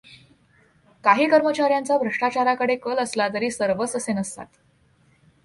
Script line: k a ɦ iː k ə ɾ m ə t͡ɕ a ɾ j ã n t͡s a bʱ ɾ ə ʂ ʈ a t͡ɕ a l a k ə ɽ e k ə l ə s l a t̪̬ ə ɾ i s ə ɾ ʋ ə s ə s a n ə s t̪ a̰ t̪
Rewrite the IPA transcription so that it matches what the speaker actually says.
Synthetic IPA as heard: k a ɦ iː k ə ɾ m ə t͡ɕ a ɾ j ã n t͡s a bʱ ɾ ə ʂ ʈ a t͡ɕ a ɾ a k ə ɽ e k ə l ə s l a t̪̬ ə ɾ iː s ə ɾ ʋ ə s ə s e n ə s t̪ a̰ t̪